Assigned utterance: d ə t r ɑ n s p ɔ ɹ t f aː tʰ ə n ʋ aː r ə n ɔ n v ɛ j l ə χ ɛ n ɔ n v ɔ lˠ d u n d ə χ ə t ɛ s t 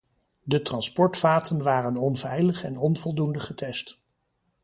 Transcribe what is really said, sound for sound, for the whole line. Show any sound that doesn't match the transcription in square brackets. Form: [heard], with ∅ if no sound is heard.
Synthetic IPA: d ə t r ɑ n s p ɔ ɹ t f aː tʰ ə n ʋ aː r ə n ɔ n v ɛ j l ə χ ɛ n ɔ n v ɔ lˠ d u n d ə χ ə t ɛ s t